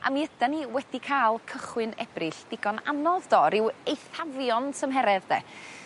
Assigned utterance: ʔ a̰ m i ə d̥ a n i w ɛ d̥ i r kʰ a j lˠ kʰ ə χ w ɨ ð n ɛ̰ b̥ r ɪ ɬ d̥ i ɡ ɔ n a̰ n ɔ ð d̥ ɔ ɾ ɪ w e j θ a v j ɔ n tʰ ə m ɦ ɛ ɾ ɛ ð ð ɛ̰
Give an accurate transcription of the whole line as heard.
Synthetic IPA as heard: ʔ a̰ m i ə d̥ a n i w ɛ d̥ i kʰ a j lˠ kʰ ə χ w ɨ n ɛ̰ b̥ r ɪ ɬ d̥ ɪ ɡ ɔ n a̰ n ɔ ð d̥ ɔ ɾ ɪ w e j θ a v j ɔ n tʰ ə m ɦ ɛ ɾ ɛ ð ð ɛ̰